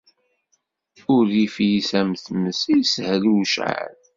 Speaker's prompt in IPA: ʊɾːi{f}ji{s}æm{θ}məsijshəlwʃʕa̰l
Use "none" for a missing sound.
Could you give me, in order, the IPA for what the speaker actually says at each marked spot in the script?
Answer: f, s, θ

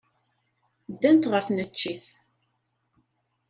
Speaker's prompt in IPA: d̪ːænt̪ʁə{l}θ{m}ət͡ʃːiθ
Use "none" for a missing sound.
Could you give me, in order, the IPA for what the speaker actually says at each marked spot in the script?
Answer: ɾ, n

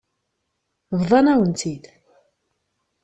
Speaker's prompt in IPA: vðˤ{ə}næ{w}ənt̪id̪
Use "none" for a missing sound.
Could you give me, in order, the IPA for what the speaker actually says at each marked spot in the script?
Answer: ɑ, w

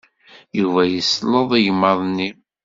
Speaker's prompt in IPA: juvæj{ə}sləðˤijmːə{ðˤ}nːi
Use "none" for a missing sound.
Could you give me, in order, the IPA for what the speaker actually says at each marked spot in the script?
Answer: ə, ðˤ

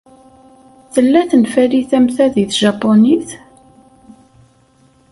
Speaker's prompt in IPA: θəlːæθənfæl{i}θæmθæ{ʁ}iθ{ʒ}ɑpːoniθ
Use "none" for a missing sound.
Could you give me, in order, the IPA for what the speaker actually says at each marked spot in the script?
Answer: i, ð, ʒ

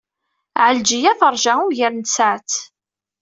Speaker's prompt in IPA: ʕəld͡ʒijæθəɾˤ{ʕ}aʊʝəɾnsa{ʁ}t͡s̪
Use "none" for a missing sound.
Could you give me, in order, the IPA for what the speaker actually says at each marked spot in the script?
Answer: ʒ, ʕ

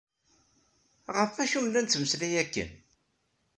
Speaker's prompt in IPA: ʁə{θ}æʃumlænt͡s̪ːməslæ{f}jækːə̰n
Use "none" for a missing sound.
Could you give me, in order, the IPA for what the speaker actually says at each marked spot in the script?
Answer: f, none

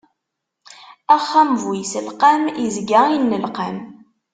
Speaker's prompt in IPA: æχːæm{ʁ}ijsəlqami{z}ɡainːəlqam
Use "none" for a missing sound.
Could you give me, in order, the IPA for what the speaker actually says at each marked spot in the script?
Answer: v, z

